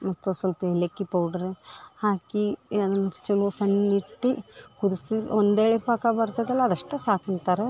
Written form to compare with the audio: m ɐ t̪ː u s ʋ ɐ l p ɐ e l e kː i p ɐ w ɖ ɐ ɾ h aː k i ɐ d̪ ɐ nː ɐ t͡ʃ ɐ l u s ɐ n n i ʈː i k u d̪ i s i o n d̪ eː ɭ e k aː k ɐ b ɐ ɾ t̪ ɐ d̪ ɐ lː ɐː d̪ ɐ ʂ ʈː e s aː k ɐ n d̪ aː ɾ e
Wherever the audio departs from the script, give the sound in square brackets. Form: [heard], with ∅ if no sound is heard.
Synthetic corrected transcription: m ɐ t̪ː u s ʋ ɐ l p ɐ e l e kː i p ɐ w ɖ ɐ ɾ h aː k i ɐ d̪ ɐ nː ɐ t͡ʃ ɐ l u s ɐ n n i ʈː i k u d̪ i s i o n d̪ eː ɭ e [p] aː k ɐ b ɐ ɾ t̪ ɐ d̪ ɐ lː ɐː d̪ ɐ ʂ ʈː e s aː k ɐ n [t̪] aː ɾ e

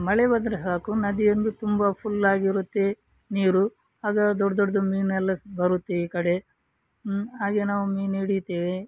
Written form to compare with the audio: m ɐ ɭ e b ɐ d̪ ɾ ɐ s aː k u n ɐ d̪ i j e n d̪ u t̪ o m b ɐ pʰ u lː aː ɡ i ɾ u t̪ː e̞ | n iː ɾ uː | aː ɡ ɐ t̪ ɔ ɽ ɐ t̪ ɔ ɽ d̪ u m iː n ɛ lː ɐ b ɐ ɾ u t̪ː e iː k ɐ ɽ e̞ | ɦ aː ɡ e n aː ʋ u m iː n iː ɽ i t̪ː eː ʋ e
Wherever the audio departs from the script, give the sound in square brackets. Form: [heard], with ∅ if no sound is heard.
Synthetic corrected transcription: m ɐ ɭ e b ɐ d̪ ɾ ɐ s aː k u n ɐ d̪ i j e n d̪ u t̪ [u] m b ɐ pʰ u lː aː ɡ i ɾ u t̪ː e̞ | n iː ɾ [u] | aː ɡ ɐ [d̪] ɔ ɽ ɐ [d̪] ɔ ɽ d̪ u m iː n ɛ lː ɐ b ɐ ɾ u t̪ː e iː k ɐ ɽ e̞ | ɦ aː ɡ e n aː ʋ u m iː n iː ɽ i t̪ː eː ʋ e

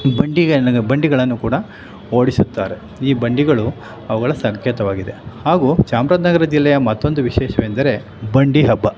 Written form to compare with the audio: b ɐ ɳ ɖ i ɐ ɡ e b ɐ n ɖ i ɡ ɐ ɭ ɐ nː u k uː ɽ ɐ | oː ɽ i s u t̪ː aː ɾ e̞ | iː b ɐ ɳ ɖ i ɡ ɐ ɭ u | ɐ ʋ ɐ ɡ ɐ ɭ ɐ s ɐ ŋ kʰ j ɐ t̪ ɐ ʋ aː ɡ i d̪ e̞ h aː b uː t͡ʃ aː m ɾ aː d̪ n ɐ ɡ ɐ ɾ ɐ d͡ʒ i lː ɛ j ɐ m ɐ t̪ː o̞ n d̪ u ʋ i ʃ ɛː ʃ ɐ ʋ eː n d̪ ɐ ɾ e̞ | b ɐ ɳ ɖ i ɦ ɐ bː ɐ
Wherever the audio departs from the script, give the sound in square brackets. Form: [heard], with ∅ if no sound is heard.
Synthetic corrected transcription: b ɐ ɳ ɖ i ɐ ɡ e b ɐ [ɳ] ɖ i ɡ ɐ ɭ ɐ nː u k uː ɽ ɐ | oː ɽ i s u t̪ː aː ɾ e̞ | iː b ɐ ɳ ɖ i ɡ ɐ ɭ u | ɐ ʋ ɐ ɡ ɐ ɭ ɐ s ɐ ŋ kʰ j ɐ t̪ ɐ ʋ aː ɡ i d̪ e̞ h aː [ɡ] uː t͡ʃ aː m ɾ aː d̪ n ɐ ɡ ɐ ɾ ɐ d͡ʒ i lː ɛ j ɐ m ɐ t̪ː o̞ n d̪ u ʋ i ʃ ɛː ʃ ɐ ʋ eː n d̪ ɐ ɾ e̞ | b ɐ ɳ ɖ i ɦ ɐ bː ɐ

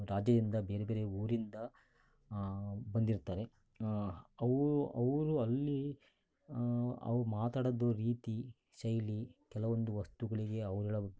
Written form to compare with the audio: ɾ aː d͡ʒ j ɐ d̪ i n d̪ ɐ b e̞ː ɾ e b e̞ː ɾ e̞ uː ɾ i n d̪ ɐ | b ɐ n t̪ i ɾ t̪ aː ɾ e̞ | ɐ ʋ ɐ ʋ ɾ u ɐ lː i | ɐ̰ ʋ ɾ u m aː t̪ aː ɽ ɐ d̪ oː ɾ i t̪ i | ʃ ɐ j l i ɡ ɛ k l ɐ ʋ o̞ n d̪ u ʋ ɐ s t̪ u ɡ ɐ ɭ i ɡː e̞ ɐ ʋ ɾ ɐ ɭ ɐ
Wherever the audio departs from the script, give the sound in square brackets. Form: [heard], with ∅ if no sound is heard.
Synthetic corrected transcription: ɾ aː d͡ʒ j ɐ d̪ i n d̪ ɐ b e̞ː ɾ e b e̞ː ɾ e̞ uː ɾ i n d̪ ɐ | b ɐ n [d̪] i ɾ t̪ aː ɾ e̞ | ɐ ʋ ɐ ʋ ɾ u ɐ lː i | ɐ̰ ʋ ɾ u m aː t̪ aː ɽ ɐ d̪ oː ɾ [iː] t̪ i | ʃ ɐ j l i [k] ɛ [∅] l ɐ ʋ o̞ n d̪ u ʋ ɐ s t̪ u ɡ ɐ ɭ i [ɡ] e̞ ɐ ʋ ɾ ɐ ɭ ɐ

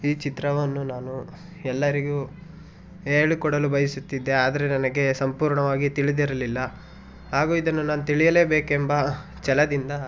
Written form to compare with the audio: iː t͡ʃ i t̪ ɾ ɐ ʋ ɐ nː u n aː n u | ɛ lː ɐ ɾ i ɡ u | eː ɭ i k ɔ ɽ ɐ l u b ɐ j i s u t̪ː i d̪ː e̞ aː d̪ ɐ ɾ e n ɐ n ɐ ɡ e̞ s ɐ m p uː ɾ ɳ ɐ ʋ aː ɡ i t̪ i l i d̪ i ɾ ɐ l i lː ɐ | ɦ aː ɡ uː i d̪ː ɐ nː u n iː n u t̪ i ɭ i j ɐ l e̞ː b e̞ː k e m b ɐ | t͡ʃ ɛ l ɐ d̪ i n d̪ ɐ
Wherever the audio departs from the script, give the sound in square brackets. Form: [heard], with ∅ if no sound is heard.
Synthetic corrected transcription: iː t͡ʃ i t̪ ɾ ɐ ʋ ɐ nː u n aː n u | ɛ lː ɐ ɾ i ɡ u | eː ɭ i k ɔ ɽ ɐ l u b ɐ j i s u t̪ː i d̪ː e̞ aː d̪ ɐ ɾ e n ɐ n ɐ ɡ e̞ s ɐ m p uː ɾ ɳ ɐ ʋ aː ɡ i t̪ i [ɭ] i d̪ i ɾ ɐ l i lː ɐ | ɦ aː ɡ uː i [d̪] ɐ nː u n [aː] n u t̪ i ɭ i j ɐ l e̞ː b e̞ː k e m b ɐ | t͡ʃ ɛ l ɐ d̪ i n d̪ ɐ

